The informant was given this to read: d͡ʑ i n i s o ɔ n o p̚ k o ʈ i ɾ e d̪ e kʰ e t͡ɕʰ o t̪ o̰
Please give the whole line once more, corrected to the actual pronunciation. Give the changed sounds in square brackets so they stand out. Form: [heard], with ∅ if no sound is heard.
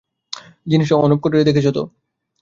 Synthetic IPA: d͡ʑ i n i [ʃ] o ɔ n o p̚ k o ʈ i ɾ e d̪ e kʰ e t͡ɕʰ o t̪ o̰